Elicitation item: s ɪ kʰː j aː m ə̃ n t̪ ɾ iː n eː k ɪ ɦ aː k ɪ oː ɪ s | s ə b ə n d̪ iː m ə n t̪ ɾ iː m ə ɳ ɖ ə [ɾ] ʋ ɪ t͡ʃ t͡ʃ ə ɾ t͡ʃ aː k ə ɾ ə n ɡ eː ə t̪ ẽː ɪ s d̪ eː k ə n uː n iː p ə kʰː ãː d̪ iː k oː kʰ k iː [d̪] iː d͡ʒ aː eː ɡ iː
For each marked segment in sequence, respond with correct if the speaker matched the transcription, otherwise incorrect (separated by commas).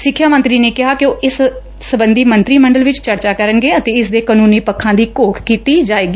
incorrect, incorrect